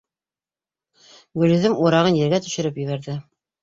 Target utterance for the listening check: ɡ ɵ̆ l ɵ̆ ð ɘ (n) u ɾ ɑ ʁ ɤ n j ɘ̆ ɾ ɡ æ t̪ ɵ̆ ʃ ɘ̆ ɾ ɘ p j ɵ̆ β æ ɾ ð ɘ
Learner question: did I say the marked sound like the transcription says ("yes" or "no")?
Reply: no